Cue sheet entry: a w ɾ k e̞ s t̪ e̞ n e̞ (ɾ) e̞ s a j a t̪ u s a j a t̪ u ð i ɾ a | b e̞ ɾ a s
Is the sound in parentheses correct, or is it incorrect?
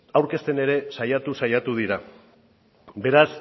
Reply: correct